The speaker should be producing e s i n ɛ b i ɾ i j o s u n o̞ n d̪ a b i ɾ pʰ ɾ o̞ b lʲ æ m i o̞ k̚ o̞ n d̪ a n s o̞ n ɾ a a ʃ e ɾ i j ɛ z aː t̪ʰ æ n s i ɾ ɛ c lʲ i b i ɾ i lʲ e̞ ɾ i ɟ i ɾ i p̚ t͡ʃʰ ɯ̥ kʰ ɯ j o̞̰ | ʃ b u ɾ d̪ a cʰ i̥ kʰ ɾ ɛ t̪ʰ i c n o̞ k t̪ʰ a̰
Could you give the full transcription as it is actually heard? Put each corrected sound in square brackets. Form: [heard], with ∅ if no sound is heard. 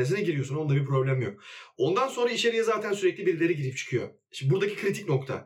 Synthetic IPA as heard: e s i n ɛ [ɟ] i ɾ i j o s u n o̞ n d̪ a b i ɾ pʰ ɾ o̞ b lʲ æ m [j] o̞ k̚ o̞ n d̪ a n s o̞ n ɾ a [i] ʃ e ɾ i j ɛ z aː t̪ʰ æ n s [y] ɾ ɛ c lʲ i b i ɾ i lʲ e̞ ɾ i ɟ i ɾ i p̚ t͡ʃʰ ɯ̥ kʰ ɯ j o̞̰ | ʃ b u ɾ d̪ a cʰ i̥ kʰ ɾ [i] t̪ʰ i c n o̞ k t̪ʰ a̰